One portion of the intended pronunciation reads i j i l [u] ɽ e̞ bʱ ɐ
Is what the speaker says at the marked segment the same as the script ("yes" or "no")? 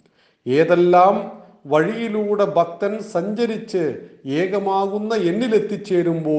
no